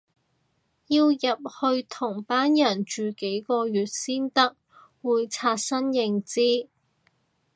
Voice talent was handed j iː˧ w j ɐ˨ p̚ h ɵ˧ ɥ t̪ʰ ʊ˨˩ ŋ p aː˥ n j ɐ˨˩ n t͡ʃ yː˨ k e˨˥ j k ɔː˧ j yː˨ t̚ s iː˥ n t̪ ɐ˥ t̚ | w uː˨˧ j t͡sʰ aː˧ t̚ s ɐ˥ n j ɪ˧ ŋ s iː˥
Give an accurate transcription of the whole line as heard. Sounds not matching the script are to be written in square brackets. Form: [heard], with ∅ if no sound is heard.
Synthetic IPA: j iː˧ w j ɐ˨ p̚ h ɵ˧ ɥ t̪ʰ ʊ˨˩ ŋ p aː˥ n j ɐ˨˩ n t͡ʃ yː˨ k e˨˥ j k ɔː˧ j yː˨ t̚ s iː˥ n t̪ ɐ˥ [k̚] | w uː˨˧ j t͡sʰ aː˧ t̚ s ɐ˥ n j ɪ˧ ŋ [t͡s] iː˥